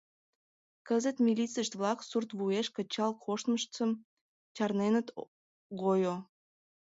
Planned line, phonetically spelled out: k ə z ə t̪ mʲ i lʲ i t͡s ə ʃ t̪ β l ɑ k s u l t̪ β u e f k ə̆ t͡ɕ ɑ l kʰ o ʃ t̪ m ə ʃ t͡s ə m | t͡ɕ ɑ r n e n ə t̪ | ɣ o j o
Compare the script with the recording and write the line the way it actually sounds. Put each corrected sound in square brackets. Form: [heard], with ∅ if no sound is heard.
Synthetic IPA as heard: k ə z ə t̪ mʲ i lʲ i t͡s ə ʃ t̪ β l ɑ k s u [r] t̪ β u e [ʃ] k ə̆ t͡ɕ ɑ l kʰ o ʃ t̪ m ə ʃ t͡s ə m | t͡ɕ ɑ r n e n ə t̪ | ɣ o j o